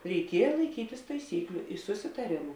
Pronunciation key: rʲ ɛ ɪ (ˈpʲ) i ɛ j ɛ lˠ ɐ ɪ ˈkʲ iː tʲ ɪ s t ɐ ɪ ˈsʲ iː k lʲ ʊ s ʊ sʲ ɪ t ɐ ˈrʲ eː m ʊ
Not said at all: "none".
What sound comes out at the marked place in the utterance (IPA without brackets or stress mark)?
kʲ